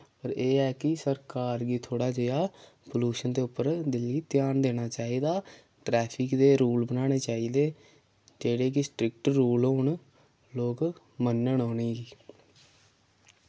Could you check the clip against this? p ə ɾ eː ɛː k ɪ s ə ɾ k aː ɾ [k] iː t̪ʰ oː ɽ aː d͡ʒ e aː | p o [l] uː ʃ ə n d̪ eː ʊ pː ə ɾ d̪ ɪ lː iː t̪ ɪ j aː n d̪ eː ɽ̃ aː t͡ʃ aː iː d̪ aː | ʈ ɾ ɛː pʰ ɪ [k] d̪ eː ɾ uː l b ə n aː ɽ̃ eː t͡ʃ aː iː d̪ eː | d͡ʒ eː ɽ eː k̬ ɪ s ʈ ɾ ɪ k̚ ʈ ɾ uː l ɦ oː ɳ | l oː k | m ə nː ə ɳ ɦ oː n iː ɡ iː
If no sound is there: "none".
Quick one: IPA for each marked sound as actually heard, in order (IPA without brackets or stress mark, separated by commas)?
ɡ, l, k